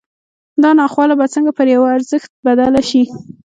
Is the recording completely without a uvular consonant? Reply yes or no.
yes